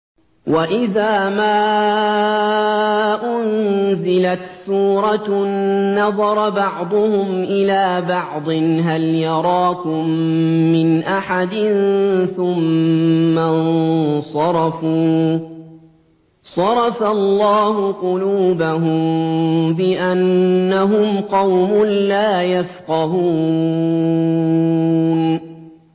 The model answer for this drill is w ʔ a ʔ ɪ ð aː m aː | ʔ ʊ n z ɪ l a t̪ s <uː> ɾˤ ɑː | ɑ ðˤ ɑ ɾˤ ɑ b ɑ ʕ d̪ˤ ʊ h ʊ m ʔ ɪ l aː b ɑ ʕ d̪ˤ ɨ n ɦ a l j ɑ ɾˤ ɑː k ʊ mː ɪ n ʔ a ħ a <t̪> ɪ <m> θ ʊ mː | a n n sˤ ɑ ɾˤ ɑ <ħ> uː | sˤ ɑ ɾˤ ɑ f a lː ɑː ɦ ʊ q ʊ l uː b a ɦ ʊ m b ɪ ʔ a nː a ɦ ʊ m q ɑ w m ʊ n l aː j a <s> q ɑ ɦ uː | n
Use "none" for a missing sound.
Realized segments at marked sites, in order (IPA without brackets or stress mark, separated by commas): uː, d̪, n, f, f